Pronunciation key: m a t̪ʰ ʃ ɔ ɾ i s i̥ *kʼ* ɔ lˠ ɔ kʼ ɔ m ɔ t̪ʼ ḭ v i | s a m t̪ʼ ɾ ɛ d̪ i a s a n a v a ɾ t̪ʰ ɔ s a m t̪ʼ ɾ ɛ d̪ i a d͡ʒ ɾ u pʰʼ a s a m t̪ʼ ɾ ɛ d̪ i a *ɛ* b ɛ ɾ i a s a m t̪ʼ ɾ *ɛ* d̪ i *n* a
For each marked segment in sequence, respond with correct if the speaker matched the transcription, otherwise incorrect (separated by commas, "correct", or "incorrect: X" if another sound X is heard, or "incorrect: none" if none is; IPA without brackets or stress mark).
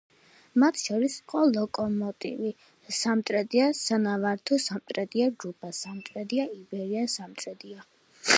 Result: incorrect: qʼ, incorrect: i, correct, incorrect: none